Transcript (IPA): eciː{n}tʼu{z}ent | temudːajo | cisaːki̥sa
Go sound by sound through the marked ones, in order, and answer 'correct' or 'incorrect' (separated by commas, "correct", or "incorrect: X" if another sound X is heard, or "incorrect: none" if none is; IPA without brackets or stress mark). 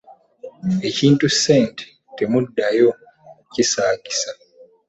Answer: correct, incorrect: s